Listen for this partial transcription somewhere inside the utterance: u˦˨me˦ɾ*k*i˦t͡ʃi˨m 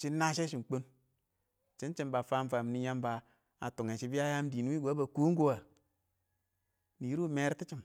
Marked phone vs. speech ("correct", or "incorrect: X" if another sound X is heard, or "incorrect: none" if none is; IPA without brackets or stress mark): incorrect: t